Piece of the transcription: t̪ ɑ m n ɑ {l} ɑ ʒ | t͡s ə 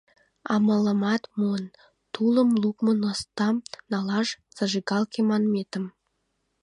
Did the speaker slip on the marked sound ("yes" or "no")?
no